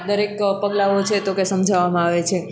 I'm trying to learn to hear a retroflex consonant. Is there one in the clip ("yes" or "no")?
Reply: no